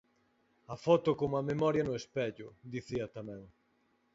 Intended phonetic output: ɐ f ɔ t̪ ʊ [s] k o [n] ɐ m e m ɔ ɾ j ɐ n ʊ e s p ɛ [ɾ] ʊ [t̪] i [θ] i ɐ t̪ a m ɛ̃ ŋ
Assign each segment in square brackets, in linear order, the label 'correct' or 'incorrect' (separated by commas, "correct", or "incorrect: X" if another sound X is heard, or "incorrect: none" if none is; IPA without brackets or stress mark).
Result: incorrect: none, incorrect: ŋ, incorrect: ʎ, incorrect: d̪, correct